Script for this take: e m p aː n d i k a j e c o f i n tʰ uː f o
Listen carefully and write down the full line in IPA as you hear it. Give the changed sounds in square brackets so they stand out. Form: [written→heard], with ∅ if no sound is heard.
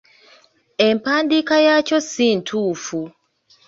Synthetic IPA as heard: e m p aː n d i k a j [e→a] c o [f→s] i n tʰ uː f [o→u]